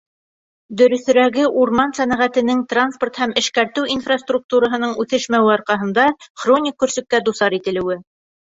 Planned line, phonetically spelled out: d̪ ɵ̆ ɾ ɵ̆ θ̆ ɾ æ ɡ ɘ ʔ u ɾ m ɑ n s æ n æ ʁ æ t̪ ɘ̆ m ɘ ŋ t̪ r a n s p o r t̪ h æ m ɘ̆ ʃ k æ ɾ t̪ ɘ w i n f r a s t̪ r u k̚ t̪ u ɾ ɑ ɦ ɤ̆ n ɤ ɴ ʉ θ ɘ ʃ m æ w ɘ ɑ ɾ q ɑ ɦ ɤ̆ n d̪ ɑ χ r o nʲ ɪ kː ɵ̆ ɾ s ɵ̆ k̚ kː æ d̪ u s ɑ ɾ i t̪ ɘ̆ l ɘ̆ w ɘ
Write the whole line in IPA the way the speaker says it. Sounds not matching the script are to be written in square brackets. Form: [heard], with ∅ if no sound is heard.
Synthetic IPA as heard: d̪ ɵ̆ ɾ ɵ̆ θ̆ ɾ æ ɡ ɘ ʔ u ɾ m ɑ n s æ n æ ʁ æ t̪ ɘ̆ [n] ɘ ŋ t̪ r a n s p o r t̪ h æ m ɘ̆ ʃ k æ ɾ t̪ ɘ w i n f r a s t̪ r u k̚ t̪ u ɾ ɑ ɦ ɤ̆ n ɤ ɴ ʉ θ ɘ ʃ m æ w ɘ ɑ ɾ q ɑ ɦ ɤ̆ n d̪ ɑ χ r o nʲ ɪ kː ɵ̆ ɾ s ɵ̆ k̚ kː æ d̪ u s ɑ ɾ i t̪ ɘ̆ l ɘ̆ w ɘ